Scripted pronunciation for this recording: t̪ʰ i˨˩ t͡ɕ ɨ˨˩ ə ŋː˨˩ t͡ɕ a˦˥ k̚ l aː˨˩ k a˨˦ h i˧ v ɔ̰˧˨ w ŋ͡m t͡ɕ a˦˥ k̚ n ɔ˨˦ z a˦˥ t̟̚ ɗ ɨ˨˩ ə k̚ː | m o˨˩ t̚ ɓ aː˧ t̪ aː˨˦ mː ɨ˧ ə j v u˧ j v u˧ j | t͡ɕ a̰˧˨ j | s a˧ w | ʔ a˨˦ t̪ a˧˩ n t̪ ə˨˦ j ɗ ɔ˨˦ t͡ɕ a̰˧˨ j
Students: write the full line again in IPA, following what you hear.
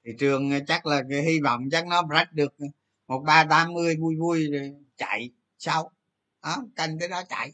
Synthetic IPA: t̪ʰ i˨˩ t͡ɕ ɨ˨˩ ə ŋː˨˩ t͡ɕ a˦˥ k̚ l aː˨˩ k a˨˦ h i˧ v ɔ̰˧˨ w ŋ͡m t͡ɕ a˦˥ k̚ n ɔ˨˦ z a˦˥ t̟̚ ɗ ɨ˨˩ ə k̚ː | m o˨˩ t̚ ɓ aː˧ t̪ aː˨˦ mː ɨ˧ ə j v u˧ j v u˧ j | t͡ɕ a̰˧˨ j | s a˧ w | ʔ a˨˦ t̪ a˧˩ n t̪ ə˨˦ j ɗ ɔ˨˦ t͡ɕ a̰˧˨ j